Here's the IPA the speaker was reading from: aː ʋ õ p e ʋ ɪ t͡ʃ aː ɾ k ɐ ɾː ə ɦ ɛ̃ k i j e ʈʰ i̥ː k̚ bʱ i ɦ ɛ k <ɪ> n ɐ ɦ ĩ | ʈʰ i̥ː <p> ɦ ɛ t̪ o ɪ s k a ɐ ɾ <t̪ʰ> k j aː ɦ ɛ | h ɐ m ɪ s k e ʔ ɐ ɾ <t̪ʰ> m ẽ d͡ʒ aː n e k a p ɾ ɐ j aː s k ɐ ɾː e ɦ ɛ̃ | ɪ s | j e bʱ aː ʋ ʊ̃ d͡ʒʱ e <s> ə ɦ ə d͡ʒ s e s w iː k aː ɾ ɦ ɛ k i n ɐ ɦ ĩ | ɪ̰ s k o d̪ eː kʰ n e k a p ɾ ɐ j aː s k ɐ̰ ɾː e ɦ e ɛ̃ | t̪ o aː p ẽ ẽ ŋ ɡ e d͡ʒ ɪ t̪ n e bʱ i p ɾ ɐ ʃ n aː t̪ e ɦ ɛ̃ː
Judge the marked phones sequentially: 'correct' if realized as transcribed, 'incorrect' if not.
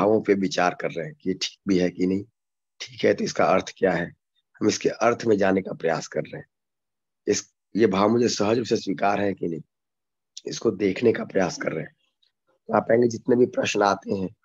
incorrect, incorrect, correct, correct, correct

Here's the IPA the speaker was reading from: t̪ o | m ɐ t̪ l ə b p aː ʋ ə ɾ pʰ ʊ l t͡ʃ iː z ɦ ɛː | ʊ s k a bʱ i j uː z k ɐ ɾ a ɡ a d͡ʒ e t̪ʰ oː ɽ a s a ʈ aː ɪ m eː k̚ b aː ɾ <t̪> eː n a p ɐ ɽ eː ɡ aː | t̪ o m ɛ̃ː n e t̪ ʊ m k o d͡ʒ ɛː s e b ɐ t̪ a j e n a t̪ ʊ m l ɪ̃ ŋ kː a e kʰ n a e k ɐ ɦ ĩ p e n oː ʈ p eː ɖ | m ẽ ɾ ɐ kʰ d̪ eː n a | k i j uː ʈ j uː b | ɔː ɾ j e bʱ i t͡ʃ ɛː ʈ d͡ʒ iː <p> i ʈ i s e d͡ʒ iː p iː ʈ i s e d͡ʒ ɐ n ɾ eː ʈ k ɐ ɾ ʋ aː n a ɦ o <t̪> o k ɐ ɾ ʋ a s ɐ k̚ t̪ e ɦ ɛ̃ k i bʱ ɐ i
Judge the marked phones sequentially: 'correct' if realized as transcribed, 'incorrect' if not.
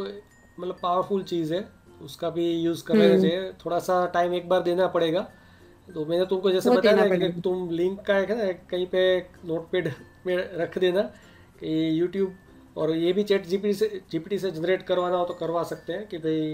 incorrect, correct, correct

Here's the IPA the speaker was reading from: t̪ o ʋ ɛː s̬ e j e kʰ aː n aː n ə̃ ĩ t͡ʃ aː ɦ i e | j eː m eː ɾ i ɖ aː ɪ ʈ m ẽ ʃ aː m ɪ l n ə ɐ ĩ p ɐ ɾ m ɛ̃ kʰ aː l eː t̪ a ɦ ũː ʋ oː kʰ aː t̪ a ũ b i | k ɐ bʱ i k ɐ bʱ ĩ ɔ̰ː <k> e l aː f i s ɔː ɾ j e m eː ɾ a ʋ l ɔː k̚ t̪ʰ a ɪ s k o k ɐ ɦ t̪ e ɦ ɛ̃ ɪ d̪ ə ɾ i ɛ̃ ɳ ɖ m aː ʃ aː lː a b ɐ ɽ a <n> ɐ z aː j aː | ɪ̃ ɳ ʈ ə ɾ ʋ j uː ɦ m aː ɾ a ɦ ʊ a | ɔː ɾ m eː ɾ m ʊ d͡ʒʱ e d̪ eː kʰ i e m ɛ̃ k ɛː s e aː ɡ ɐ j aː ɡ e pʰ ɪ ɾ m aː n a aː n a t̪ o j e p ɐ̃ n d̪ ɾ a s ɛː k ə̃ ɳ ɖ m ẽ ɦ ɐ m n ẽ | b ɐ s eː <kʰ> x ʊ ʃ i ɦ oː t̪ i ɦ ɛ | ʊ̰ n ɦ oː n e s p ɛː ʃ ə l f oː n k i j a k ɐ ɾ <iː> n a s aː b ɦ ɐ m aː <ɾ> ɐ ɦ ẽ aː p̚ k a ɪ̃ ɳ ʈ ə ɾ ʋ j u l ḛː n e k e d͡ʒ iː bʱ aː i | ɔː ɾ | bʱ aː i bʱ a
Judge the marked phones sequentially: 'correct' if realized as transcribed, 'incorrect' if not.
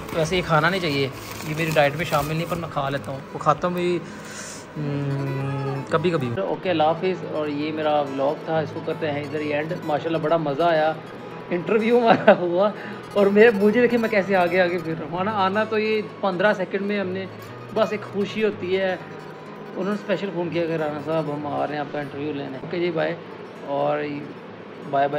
correct, incorrect, incorrect, incorrect, correct

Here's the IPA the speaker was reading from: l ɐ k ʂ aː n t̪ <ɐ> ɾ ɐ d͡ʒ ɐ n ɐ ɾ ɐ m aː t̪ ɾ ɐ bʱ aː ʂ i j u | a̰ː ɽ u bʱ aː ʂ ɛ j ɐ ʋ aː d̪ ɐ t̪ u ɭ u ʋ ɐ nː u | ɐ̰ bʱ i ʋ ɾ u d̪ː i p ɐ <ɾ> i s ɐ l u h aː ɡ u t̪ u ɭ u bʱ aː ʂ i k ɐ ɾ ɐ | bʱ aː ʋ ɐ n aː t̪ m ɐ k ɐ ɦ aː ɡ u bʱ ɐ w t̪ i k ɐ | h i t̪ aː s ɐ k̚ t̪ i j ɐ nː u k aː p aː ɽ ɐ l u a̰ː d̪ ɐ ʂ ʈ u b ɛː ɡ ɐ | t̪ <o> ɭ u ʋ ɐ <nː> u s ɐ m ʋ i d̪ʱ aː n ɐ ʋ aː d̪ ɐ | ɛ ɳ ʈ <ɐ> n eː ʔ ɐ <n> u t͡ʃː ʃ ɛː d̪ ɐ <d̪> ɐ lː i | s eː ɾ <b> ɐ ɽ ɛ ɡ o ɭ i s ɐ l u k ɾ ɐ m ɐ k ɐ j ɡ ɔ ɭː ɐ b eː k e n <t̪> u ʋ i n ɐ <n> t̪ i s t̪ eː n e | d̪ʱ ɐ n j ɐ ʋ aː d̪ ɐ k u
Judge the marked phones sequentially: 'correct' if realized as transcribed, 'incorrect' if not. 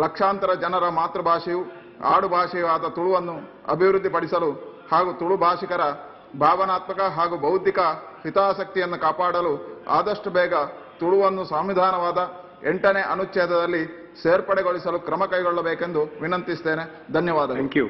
correct, incorrect, incorrect, correct, correct, correct, correct, incorrect, incorrect, correct

